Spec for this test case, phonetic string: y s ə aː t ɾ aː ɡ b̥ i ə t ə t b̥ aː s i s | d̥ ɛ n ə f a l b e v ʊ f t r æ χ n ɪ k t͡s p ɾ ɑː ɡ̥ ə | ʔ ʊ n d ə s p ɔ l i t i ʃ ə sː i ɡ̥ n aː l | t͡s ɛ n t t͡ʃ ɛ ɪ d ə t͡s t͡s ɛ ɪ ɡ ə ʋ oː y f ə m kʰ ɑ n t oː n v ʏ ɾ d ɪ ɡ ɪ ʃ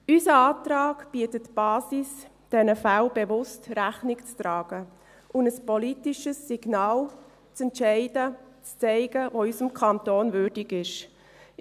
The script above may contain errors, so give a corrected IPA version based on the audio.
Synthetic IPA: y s ə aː t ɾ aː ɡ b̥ i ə t ə t b̥ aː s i s | d̥ ɛ n ə f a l b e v ʊ s t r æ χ n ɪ k t͡s t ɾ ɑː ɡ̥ ə | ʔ ʊ n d ə s p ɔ l i t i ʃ ə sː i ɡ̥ n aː l | t͡s ɛ n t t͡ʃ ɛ ɪ d ə t͡s t͡s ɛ ɪ ɡ ə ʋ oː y s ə m kʰ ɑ n t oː n v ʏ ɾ d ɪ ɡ ɪ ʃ